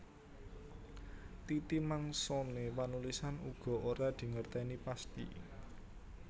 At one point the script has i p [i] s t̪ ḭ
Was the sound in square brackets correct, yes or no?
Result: no